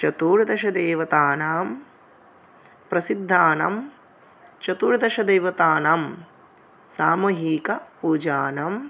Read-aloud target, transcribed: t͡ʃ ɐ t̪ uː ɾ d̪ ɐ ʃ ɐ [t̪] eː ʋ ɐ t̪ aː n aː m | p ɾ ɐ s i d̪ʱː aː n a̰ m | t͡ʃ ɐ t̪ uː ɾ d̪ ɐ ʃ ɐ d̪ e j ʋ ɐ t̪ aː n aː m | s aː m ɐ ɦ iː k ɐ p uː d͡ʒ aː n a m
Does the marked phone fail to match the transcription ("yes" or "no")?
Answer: yes